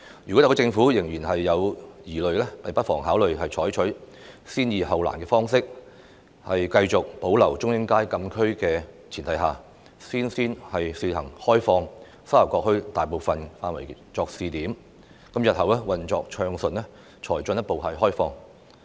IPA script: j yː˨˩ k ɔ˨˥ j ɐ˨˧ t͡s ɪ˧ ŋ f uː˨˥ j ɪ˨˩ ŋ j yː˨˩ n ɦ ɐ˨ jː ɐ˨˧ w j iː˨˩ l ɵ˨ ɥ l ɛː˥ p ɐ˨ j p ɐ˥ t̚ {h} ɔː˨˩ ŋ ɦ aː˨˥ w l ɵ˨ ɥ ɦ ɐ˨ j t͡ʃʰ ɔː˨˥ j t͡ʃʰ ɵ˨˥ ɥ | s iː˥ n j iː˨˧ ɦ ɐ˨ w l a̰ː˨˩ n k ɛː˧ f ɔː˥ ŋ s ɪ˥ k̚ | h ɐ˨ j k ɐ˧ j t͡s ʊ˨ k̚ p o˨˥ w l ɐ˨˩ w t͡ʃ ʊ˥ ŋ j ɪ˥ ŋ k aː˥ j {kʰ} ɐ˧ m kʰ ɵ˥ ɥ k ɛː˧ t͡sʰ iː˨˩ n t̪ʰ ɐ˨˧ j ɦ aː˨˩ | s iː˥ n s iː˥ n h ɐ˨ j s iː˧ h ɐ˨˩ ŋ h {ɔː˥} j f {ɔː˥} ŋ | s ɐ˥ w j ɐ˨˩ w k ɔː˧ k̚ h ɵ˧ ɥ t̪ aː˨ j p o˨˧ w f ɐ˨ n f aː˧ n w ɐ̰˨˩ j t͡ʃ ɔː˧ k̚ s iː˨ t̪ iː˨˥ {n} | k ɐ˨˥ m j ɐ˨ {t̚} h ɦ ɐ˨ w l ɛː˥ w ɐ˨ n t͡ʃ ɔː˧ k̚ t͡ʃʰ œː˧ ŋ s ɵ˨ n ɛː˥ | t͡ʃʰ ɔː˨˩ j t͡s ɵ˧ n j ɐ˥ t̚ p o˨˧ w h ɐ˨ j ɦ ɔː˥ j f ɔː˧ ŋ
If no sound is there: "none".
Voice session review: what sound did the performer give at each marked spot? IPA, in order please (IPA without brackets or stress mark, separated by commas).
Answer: f, k, ɔː˥, ɔː˧, m, t̚